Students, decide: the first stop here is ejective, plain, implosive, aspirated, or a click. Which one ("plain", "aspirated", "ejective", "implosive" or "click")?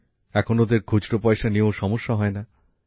aspirated